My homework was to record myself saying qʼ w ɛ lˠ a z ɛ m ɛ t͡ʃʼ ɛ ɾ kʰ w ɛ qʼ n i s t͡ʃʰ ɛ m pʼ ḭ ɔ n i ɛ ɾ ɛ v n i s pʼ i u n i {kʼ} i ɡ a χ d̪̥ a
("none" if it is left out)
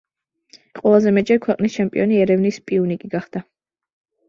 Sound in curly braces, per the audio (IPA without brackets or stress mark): kʼ